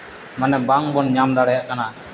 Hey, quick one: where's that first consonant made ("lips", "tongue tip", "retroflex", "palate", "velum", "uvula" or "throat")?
lips